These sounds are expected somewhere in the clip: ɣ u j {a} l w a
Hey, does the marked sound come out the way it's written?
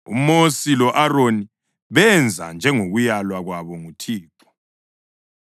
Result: yes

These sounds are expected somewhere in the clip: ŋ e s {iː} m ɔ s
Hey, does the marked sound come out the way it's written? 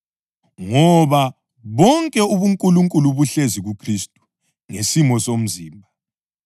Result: no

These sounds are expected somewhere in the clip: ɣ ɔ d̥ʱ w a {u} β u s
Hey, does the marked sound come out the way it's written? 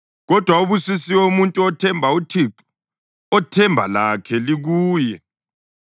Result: yes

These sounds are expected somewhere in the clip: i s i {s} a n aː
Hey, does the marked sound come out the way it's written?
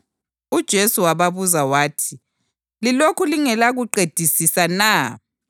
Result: yes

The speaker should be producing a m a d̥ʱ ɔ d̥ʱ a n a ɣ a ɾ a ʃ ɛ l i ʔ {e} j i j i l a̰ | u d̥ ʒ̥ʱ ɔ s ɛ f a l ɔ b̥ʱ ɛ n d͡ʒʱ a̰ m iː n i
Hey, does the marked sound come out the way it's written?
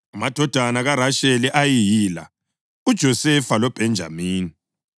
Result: no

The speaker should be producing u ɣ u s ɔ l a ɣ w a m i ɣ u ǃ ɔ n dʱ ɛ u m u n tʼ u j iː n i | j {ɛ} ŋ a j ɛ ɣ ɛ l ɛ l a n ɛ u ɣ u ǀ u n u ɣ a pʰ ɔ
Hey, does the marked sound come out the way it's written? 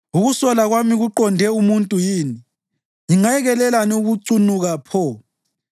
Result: no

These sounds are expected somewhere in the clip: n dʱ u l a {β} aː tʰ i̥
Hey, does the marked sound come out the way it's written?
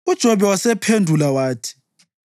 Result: no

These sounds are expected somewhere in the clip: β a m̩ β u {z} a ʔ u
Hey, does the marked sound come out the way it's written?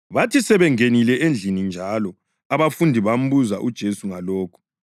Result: yes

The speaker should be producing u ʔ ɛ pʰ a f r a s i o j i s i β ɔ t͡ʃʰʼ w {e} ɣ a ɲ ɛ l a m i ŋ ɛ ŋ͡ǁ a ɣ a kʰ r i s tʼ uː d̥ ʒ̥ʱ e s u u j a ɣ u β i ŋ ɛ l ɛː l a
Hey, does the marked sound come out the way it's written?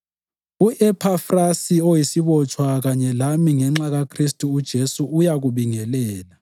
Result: no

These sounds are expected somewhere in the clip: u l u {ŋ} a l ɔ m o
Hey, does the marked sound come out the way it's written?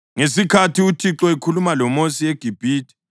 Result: no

